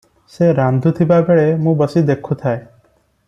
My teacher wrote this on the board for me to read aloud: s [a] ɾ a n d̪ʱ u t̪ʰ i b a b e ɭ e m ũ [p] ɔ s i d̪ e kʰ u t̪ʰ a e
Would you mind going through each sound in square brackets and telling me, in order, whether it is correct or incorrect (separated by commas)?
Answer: incorrect, incorrect